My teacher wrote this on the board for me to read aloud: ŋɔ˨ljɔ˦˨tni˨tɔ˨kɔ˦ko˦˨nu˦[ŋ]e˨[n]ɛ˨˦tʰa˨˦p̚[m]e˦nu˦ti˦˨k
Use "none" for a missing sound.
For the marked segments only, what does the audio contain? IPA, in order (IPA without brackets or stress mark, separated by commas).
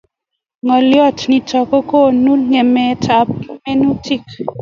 ŋ, m, m